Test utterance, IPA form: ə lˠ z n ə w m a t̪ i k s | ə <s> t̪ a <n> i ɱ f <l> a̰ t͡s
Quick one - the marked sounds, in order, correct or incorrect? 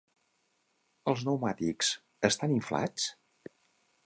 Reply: correct, correct, correct

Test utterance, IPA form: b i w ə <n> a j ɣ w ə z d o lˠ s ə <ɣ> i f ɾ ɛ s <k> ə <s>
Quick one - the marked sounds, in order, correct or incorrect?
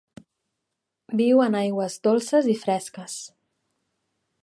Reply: correct, incorrect, correct, correct

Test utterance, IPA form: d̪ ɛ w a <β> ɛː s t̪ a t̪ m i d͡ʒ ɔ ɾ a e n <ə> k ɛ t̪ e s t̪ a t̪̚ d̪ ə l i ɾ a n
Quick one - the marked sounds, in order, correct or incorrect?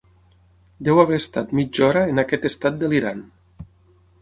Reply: correct, incorrect

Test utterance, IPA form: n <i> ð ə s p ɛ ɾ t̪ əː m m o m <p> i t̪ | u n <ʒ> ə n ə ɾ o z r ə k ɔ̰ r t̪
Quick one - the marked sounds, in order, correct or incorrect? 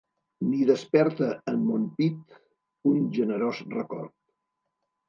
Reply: correct, correct, correct

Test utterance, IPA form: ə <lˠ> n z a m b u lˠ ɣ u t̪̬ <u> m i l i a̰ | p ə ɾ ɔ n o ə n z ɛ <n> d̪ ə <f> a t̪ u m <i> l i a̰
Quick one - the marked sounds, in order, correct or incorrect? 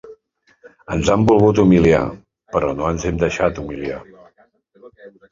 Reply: incorrect, correct, incorrect, incorrect, correct

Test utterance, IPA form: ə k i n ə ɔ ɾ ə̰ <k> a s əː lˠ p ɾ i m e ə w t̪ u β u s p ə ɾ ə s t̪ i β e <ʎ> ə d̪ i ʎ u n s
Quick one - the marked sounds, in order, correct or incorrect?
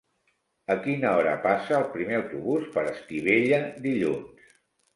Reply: incorrect, correct

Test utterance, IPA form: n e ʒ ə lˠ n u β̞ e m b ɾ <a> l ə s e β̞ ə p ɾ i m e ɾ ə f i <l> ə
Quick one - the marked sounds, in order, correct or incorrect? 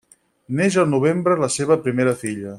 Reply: incorrect, incorrect

